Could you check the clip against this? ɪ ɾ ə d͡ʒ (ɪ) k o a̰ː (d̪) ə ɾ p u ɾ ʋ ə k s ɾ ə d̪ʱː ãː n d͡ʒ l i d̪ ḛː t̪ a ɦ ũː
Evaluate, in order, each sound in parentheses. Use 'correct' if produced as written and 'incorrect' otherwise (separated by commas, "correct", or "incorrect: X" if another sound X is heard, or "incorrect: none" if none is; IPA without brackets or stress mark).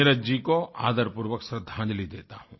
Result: incorrect: i, correct